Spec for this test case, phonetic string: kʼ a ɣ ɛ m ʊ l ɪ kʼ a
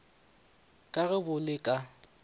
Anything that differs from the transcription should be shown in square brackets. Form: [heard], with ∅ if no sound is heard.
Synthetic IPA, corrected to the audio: kʼ a ɣ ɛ [b] ʊ l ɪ kʼ a

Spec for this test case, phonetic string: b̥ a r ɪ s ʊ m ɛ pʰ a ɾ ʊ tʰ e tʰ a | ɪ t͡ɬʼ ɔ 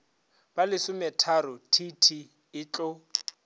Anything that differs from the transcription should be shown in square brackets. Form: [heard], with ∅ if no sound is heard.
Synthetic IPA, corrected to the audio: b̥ a [l] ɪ s ʊ m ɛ [tʰ] a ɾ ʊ tʰ [i] tʰ [i] | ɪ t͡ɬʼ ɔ

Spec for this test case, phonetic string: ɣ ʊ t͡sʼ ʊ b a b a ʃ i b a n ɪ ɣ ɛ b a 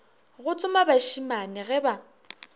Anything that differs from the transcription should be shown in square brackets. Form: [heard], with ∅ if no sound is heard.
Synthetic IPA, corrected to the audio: ɣ ʊ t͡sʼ ʊ [m] a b a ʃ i [m] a n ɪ ɣ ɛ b a

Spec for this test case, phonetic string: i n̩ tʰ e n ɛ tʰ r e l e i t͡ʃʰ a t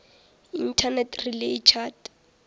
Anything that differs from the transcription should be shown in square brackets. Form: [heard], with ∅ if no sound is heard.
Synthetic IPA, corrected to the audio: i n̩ tʰ [a] n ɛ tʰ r [i] l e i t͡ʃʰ a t

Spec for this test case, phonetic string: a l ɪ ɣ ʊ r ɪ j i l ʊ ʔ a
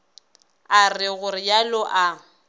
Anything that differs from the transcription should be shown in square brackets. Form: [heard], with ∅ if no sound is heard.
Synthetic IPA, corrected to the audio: a [r] ɪ ɣ ʊ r ɪ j [a] l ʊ ʔ a

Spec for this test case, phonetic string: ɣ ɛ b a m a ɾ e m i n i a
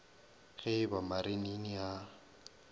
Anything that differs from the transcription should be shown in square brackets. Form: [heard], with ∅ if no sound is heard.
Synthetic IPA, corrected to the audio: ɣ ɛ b a m a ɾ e [n] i n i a

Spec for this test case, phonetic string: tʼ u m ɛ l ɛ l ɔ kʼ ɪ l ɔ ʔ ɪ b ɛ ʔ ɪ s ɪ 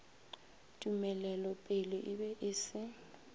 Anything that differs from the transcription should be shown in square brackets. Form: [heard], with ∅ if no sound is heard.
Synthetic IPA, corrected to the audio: tʼ u m ɛ l ɛ l ɔ [pʼ] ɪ l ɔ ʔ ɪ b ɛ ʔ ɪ s ɪ

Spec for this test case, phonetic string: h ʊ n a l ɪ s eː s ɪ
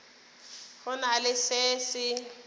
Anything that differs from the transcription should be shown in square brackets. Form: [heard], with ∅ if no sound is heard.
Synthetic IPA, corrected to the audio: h ʊ n a l ɪ s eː s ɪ

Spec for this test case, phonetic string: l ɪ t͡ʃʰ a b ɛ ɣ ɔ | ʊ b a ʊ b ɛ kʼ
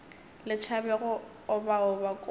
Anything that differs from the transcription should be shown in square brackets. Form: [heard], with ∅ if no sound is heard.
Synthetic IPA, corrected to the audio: l ɪ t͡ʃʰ a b ɛ ɣ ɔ | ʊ b a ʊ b [a] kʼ

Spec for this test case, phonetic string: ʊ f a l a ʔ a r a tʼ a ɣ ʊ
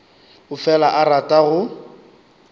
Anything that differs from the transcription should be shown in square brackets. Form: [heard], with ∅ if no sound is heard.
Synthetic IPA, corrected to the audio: ʊ f [ɛ] l a ʔ a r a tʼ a ɣ ʊ

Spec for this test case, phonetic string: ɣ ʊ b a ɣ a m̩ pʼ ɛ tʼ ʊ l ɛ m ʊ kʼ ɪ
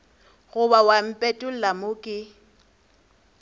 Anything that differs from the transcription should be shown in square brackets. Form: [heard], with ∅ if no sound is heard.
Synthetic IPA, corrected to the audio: ɣ ʊ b a [w] a m̩ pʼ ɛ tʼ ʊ l [a] m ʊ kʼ ɪ

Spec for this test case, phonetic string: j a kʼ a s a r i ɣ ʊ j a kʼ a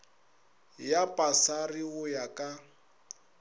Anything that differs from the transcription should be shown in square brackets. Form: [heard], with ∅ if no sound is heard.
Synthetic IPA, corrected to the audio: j a [pʼ] a s a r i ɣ ʊ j a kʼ a

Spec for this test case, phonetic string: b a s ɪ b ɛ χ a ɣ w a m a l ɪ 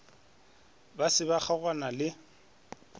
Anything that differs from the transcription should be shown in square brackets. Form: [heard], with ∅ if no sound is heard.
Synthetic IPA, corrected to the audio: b a s ɪ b [a] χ a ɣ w a [n] a l ɪ

